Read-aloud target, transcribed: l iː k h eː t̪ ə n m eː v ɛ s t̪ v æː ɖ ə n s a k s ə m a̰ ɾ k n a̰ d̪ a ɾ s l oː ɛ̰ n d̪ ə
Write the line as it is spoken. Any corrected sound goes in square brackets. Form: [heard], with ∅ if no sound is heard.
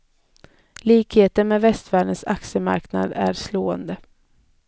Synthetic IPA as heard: l iː k h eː t̪ ə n m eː v ɛ s t̪ v æː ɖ ə n s a k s ə m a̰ ɾ k n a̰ d̪ [æ] ɾ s l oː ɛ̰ n d̪ ə